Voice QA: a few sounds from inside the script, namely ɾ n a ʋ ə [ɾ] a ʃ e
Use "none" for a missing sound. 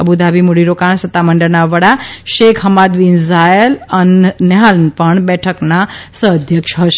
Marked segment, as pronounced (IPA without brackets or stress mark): ɽ